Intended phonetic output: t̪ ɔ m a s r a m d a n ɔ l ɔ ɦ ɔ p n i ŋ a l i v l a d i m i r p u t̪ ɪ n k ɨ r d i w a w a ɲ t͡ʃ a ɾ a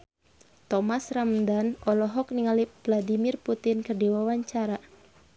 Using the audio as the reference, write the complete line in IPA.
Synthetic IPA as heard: t̪ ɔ m a s r a m d a n ɔ l ɔ ɦ ɔ k n i ŋ a l i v l a d i m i r p u t̪ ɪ n k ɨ r d i w a w a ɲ t͡ʃ a ɾ a